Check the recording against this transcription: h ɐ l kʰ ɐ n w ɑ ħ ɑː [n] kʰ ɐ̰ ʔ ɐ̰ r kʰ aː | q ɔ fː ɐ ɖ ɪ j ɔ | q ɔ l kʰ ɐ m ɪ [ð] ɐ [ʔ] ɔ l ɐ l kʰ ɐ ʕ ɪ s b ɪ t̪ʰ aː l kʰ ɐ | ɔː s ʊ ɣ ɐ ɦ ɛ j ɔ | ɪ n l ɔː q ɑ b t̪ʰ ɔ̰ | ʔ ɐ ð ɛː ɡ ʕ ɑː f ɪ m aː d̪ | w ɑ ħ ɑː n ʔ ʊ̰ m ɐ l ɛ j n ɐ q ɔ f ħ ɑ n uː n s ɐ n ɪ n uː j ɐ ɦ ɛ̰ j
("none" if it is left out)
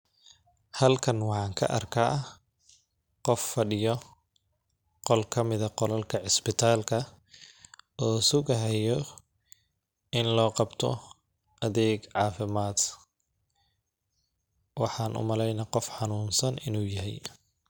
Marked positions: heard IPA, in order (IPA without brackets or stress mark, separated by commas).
ŋ, ð, q